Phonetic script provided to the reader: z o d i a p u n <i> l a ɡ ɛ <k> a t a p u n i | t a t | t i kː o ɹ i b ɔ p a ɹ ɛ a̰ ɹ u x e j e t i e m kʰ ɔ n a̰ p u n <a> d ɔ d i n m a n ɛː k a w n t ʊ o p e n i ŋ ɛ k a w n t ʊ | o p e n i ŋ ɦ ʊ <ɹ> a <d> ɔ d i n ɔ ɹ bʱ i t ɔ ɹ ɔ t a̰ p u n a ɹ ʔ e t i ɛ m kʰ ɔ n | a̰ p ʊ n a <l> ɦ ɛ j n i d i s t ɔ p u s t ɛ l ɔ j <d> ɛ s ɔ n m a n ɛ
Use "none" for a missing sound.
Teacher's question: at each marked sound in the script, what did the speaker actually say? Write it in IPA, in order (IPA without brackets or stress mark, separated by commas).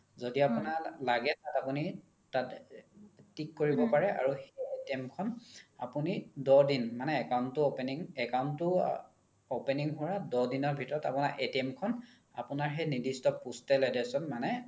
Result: a, t, i, ɹ, d, ɹ, d